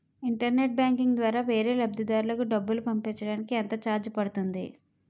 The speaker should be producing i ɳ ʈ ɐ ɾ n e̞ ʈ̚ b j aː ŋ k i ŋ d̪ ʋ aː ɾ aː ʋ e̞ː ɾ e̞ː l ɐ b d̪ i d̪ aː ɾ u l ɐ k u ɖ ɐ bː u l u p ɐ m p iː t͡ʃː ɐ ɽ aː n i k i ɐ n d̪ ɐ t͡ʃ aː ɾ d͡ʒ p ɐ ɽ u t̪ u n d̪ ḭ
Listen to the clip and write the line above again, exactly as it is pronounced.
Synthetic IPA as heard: i ɳ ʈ ɐ ɾ n e̞ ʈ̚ b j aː ŋ k i ŋ d̪ ʋ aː ɾ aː ʋ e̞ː ɾ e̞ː l ɐ b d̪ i d̪ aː ɾ u l ɐ k u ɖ ɐ bː u l u p ɐ m p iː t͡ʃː ɐ ɽ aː n i k i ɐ n t̪ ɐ t͡ʃ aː ɾ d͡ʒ p ɐ ɽ u t̪ u n d̪ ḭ